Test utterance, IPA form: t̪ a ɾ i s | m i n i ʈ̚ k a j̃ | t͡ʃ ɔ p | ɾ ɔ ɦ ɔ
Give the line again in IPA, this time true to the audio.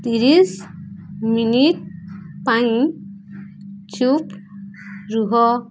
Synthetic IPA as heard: t̪ i ɾ i s | m i n i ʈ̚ p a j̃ | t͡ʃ u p | ɾ u ɦ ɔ

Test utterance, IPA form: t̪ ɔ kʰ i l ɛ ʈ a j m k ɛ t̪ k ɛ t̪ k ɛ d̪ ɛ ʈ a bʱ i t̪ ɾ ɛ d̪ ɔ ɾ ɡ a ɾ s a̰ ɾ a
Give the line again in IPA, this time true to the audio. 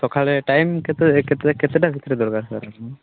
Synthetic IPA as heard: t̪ ɔ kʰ a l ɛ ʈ a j m k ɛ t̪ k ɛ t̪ k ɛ t̪ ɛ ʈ a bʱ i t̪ ɾ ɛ d̪ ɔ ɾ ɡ a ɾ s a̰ ɾ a

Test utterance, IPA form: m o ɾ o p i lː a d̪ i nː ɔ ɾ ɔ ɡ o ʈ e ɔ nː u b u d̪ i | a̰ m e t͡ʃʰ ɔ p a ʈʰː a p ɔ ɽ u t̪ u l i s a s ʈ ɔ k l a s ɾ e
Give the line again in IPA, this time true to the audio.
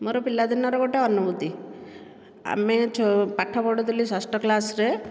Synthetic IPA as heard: m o ɾ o p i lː a d̪ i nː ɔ ɾ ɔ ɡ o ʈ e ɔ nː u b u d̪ i | a̰ m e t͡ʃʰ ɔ p a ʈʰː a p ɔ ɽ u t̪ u l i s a s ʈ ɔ k l a s ɾ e

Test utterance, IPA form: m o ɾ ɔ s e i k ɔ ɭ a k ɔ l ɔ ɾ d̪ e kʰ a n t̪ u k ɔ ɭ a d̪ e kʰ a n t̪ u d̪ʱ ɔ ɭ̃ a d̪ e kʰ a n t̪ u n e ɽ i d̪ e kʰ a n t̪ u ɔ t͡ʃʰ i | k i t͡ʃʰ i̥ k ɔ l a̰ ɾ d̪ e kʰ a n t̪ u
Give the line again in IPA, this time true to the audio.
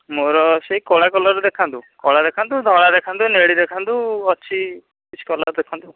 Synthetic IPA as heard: m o ɾ ɔ s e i k ɔ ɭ a k ɔ l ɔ ɾ d̪ e kʰ a n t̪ u k ɔ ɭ a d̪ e kʰ a n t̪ u d̪ʱ ɔ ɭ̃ a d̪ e kʰ a n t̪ u n e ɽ i d̪ e kʰ a n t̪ u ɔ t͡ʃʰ i | k i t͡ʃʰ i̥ k ɔ l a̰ ɾ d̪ e kʰ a n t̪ u

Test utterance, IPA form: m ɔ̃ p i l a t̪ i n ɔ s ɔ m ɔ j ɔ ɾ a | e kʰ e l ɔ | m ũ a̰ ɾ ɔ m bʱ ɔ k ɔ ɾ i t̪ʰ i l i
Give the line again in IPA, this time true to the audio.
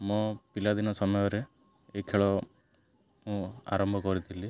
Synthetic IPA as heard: m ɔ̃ p i l a d̪ i n ɔ s ɔ m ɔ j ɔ ɾ e | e kʰ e ɭ ɔ | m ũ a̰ ɾ ɔ m bʱ ɔ k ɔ ɾ i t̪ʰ i l i

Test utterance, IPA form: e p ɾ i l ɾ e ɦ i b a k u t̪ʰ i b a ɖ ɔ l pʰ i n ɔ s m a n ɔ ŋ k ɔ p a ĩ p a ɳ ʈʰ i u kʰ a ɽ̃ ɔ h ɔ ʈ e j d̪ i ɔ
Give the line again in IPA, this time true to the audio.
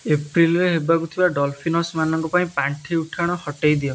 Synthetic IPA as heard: e p ɾ i l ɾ e ɦ e b a k u t̪ʰ i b a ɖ ɔ l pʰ i n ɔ s m a n ɔ ŋ k ɔ p a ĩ p a ɳ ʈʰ i u ʈʰ a ɽ̃ ɔ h ɔ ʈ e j d̪ i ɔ

